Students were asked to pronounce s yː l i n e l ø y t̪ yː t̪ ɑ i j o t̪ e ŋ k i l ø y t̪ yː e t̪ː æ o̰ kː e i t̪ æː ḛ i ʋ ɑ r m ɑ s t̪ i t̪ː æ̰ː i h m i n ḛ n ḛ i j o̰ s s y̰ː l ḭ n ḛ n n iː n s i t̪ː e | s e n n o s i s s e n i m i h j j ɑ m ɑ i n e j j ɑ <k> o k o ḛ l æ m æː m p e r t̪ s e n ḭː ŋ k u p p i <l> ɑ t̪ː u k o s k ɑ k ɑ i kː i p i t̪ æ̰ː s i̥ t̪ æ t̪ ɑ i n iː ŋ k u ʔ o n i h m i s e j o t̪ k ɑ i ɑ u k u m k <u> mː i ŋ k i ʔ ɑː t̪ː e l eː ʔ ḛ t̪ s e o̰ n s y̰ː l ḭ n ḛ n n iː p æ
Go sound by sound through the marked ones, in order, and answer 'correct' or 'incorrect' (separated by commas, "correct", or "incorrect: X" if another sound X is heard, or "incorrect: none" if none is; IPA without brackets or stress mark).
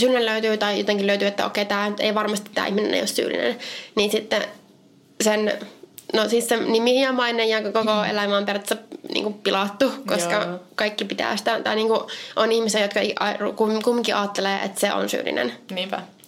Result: correct, correct, correct